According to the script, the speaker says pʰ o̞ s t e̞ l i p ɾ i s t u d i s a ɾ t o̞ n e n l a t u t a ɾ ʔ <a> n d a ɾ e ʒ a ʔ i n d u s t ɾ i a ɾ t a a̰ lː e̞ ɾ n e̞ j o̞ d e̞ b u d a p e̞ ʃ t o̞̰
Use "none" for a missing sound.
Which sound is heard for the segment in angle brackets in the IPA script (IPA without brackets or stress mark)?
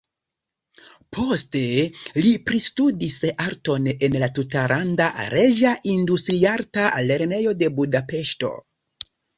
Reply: a